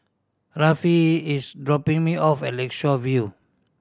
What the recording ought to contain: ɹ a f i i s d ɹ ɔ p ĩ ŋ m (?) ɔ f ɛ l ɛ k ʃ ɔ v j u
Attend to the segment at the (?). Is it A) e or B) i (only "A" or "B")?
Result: B